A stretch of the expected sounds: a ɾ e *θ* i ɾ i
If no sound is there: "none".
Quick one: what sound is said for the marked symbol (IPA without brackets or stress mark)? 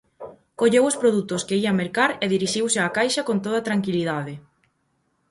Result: ð